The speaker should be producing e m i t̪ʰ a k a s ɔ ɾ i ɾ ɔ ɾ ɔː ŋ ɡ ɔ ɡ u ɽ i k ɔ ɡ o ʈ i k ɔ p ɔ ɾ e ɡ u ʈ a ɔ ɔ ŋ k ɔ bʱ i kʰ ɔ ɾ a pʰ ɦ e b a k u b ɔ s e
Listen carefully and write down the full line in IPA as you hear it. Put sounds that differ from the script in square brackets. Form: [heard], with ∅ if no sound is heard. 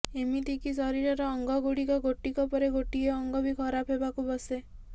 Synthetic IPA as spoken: e m i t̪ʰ [i] k [i] s ɔ ɾ i ɾ ɔ ɾ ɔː ŋ ɡ ɔ ɡ u ɽ i k ɔ ɡ o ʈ i k ɔ p ɔ ɾ e ɡ [o] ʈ [i] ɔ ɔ ŋ [ɡ] ɔ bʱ i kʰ ɔ ɾ a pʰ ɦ e b a k u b ɔ s e